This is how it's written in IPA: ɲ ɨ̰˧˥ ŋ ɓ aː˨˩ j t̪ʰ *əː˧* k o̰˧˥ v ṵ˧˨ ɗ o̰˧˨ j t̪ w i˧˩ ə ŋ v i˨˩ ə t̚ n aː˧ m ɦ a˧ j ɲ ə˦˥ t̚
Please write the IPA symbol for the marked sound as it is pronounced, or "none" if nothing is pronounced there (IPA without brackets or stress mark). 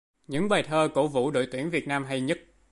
əː˧